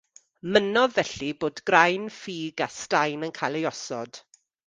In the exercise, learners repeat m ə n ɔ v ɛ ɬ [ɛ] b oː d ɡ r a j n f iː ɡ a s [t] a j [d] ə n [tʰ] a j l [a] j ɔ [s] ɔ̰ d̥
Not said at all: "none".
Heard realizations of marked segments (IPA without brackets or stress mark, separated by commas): i, t, n, kʰ, e, s